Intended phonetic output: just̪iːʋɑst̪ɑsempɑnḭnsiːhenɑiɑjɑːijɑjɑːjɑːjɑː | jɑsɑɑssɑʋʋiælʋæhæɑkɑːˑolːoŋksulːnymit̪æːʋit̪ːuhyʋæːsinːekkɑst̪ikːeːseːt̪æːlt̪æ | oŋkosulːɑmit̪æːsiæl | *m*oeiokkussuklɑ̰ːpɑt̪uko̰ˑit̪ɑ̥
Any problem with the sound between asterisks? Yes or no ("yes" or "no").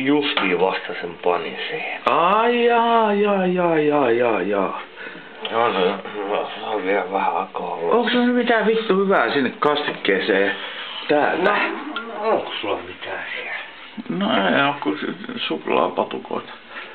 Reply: yes